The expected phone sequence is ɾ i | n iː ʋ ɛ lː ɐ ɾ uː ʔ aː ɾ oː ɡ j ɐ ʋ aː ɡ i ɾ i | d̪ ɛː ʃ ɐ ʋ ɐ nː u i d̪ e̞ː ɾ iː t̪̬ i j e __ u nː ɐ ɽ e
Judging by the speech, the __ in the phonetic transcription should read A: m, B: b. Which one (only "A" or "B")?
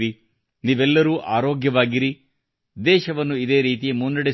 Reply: A